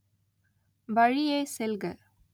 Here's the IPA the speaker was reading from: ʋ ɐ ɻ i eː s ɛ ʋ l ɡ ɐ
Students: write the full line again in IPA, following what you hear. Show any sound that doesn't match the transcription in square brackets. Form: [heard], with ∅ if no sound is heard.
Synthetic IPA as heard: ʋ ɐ ɻ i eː s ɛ [∅] l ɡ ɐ